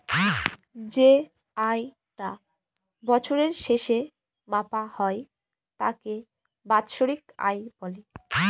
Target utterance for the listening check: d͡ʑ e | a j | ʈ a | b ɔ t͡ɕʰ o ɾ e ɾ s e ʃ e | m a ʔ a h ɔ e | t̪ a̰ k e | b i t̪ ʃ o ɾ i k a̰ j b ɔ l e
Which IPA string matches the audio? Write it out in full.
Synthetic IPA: d͡ʑ e | a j | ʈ a | b ɔ t͡ɕʰ o ɾ e ɾ ʃ e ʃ e | m a p a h ɔ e | t̪ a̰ k e | b a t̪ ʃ o ɾ i k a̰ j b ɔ l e

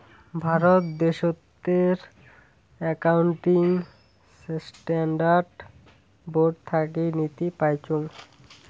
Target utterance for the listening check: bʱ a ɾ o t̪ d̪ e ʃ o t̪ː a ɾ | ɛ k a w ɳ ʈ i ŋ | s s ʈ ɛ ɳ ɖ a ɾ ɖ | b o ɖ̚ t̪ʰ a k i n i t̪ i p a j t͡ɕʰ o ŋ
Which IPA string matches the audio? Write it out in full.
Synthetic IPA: bʱ a ɾ o t̪ d̪ e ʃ o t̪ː e ɾ | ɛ k a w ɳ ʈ i ŋ | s s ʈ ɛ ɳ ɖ a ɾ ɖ | b o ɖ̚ t̪ʰ a k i n i t̪ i p a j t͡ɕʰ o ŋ

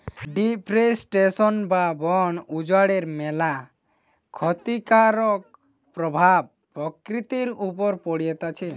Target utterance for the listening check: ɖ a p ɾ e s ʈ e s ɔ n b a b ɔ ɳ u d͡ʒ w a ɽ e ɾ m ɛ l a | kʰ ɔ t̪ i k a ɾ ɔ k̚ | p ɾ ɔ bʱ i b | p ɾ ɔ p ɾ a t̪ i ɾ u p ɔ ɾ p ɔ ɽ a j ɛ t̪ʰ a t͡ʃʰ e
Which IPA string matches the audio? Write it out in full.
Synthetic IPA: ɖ i p ɾ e s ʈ e s ɔ n b a b ɔ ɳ u d͡ʒ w a ɽ e ɾ m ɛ l a | kʰ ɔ t̪ i k a ɾ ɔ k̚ | p ɾ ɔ bʱ a b | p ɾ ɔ k ɾ i t̪ i ɾ u p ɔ ɾ p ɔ ɽ i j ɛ t̪ a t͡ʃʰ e

